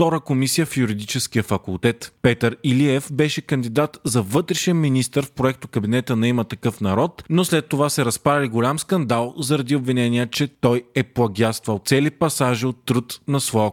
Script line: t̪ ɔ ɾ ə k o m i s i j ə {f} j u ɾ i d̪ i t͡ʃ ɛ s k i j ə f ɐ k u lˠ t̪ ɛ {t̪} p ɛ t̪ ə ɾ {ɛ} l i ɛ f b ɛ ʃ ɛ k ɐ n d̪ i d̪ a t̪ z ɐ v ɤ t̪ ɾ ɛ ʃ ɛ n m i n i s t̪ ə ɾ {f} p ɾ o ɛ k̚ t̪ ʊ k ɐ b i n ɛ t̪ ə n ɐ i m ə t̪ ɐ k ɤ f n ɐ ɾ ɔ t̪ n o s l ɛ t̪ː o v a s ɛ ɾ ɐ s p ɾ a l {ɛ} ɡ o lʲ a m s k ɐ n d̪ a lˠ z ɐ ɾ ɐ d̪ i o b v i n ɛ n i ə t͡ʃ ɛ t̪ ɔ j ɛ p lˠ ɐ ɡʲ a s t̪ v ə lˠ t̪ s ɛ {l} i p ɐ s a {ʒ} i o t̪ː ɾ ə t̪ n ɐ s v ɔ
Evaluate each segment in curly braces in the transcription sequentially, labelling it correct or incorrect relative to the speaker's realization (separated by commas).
correct, correct, incorrect, correct, incorrect, correct, correct